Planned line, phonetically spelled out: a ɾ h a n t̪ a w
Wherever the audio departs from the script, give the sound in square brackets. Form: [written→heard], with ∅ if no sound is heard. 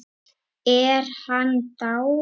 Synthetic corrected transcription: [a→ɛ] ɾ h a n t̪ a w